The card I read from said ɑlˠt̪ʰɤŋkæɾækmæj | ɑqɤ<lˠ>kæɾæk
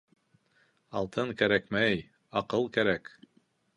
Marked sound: correct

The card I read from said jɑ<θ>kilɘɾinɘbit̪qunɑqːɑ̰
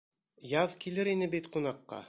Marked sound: incorrect: ð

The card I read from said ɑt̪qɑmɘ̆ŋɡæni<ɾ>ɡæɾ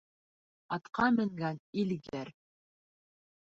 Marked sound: incorrect: l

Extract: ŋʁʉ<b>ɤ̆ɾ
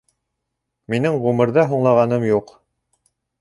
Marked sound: incorrect: m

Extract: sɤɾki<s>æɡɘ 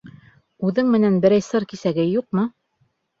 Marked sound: correct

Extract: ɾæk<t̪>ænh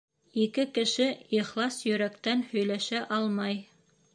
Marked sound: correct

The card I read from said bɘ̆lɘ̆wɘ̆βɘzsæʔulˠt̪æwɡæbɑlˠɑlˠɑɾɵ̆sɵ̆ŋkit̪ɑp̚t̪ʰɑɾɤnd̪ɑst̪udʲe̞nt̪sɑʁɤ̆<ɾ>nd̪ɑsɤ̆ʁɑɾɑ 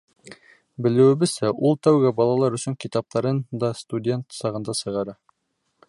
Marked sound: incorrect: none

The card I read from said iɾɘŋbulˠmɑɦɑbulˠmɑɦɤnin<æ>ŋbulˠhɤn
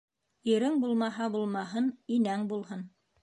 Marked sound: correct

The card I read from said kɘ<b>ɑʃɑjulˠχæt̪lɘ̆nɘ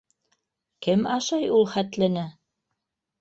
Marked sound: incorrect: m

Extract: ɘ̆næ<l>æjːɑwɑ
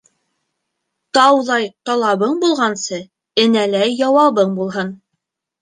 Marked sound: correct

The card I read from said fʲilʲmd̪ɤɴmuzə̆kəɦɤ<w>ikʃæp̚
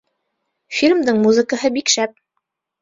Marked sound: incorrect: b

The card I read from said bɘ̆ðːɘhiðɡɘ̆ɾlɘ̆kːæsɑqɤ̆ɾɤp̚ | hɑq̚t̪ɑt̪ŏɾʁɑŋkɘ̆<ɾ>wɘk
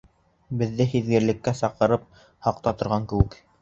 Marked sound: incorrect: none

